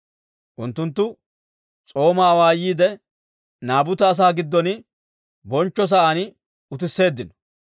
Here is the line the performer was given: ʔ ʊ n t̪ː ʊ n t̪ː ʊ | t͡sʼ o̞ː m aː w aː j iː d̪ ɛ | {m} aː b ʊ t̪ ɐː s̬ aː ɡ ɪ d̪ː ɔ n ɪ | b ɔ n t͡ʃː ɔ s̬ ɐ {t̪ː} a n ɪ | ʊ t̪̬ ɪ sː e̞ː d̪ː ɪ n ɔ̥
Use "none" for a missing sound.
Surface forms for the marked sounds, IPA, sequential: n, none

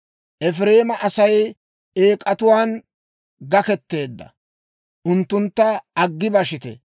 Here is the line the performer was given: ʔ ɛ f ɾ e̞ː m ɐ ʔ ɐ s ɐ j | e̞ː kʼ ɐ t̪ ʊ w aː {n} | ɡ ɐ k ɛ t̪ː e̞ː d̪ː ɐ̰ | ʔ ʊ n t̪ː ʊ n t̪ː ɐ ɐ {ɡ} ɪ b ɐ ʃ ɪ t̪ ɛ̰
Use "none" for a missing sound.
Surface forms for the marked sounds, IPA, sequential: n, ɡː

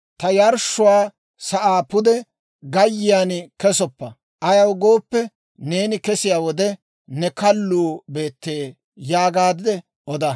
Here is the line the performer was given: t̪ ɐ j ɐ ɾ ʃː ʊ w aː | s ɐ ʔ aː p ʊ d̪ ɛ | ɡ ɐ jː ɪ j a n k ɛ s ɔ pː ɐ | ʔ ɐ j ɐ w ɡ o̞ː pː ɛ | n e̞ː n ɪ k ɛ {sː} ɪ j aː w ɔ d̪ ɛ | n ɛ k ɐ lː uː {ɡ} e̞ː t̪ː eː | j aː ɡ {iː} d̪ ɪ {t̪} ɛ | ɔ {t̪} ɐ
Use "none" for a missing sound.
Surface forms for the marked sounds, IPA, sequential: s, b, aː, d̪, d̪

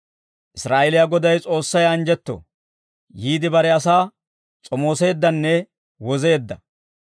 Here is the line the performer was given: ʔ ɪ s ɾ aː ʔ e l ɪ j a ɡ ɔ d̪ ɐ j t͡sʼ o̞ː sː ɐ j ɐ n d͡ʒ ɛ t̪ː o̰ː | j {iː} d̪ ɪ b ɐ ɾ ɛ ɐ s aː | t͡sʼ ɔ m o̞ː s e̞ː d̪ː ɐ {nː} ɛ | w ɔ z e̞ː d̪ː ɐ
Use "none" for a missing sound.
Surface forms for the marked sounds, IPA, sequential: iː, nː

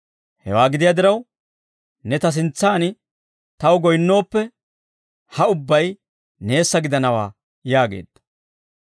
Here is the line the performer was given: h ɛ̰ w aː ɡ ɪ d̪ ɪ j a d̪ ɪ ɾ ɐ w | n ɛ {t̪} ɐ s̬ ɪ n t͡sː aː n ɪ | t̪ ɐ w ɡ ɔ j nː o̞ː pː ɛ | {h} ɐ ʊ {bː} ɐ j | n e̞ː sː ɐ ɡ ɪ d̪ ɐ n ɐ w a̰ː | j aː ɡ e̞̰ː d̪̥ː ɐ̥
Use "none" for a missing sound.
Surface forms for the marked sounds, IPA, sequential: t̪, h, bː

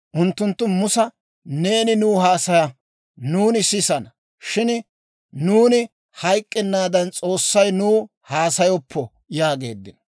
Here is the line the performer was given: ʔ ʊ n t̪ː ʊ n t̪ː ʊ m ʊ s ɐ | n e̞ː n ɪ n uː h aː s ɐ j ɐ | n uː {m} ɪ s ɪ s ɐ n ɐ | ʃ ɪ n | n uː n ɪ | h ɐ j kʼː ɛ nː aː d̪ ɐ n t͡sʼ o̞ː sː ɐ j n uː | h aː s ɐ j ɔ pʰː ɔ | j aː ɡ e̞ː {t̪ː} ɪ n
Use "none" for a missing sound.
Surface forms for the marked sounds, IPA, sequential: n, d̪ː

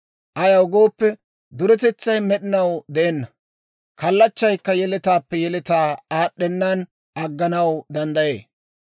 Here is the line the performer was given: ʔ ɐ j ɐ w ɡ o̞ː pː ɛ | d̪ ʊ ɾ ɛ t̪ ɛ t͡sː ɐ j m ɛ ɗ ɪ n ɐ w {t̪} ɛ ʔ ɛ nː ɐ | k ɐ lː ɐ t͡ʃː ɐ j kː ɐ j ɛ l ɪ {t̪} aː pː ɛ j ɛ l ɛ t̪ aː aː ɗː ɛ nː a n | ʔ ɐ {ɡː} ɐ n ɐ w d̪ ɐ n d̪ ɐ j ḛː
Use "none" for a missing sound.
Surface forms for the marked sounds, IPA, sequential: d̪, t̪, ɡː

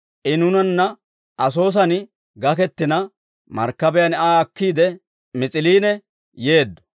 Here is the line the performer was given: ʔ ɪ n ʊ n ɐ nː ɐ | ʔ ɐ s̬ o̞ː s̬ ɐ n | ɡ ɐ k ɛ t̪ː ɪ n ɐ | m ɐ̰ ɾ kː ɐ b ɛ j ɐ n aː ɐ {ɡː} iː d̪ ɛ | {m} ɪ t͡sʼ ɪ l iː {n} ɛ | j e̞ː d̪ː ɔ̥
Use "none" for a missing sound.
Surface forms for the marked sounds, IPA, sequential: kː, m, n

